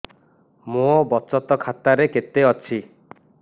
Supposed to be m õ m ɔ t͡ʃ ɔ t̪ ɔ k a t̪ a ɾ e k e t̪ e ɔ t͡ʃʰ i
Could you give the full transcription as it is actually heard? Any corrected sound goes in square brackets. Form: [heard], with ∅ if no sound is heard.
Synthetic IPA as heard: m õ [b] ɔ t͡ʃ ɔ t̪ ɔ [kʰ] a t̪ a ɾ e k e t̪ e ɔ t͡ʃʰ i